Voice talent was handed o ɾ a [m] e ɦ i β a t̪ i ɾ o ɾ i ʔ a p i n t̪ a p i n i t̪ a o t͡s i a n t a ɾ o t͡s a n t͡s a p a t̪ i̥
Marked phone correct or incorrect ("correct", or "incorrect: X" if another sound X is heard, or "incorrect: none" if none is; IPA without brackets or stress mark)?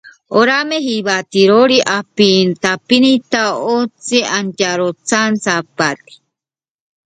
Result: correct